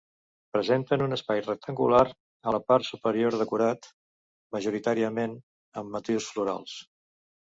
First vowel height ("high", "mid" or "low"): mid